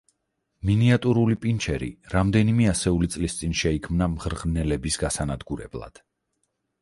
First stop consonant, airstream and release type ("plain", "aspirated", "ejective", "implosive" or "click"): ejective